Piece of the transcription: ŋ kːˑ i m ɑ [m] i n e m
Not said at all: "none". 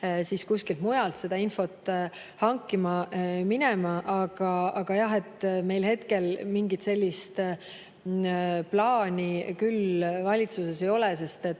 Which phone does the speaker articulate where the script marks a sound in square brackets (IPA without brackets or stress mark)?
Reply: m